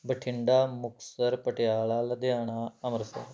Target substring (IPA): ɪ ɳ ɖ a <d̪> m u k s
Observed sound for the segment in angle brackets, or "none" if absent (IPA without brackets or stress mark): none